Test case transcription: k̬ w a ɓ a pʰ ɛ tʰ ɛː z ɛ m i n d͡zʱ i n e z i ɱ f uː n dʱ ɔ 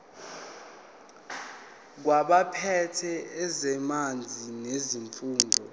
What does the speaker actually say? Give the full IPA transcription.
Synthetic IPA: k̬ w a ɓ a pʰ ɛ tʰ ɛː z ɛ m a n d͡zʱ i n e z i ɱ f uː n dʱ ɔ